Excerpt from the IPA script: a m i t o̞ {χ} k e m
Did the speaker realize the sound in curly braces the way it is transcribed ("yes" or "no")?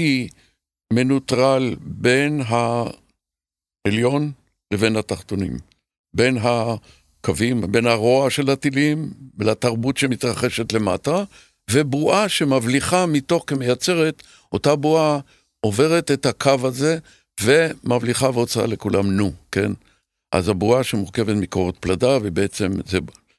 yes